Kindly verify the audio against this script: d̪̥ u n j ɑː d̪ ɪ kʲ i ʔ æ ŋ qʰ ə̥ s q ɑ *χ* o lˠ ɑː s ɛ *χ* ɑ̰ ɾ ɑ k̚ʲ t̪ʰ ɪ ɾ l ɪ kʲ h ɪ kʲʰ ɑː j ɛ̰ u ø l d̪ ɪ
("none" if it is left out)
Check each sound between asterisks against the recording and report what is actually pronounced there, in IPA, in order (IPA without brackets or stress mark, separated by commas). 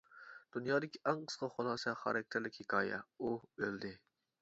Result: χ, χ